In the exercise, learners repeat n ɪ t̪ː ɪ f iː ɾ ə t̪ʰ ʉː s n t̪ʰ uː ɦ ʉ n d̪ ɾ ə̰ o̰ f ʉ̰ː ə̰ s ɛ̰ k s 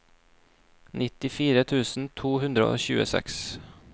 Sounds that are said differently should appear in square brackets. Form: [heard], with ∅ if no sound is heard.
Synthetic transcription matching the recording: n ɪ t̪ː ɪ f iː ɾ ə t̪ʰ ʉː s n t̪ʰ uː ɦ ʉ n d̪ ɾ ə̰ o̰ [ɕ] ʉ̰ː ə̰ s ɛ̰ k s